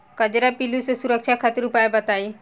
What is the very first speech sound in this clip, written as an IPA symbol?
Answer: k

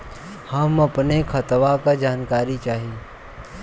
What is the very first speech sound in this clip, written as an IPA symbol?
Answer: h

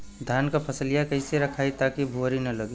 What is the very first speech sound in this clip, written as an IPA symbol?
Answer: d̪ʱ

